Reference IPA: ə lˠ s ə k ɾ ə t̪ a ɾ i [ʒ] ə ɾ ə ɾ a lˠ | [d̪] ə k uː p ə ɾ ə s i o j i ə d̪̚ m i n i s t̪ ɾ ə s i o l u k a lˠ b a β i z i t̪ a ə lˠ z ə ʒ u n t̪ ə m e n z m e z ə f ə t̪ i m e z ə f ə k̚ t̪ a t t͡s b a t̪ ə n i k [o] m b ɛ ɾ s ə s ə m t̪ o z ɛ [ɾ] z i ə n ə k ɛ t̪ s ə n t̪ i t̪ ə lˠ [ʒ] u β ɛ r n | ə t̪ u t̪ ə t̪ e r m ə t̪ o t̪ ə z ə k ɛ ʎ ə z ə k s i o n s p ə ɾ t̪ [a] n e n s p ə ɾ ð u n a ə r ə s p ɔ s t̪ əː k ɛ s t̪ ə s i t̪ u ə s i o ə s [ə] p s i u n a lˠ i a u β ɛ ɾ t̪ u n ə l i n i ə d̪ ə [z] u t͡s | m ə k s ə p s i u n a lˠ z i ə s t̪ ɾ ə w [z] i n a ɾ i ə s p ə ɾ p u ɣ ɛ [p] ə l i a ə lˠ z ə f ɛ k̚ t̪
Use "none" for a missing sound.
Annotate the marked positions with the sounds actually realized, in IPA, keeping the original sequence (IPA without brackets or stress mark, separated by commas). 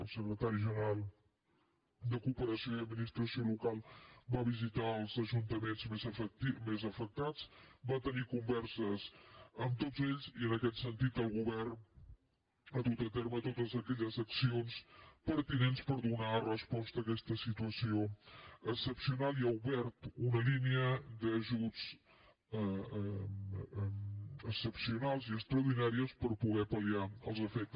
ʒ, d̪, u, ʎ, ɣ, i, ə, ʒ, ð, p